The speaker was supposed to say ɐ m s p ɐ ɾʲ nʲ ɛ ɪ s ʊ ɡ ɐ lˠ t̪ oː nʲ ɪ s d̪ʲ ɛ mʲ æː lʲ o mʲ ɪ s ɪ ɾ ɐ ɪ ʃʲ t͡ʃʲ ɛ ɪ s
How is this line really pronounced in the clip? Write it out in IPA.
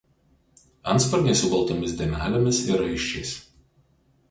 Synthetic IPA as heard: ɐ n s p ɐ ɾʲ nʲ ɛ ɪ s ʊ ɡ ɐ lˠ t̪ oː mʲ ɪ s d̪ʲ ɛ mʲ æː lʲ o mʲ ɪ s ɪ ɾ ɐ ɪ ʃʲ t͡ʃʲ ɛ ɪ s